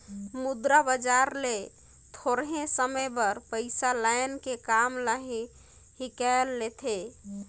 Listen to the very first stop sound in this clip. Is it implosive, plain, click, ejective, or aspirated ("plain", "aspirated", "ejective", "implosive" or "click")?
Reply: plain